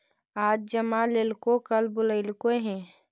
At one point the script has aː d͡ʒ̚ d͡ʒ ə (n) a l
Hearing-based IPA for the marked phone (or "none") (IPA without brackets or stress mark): m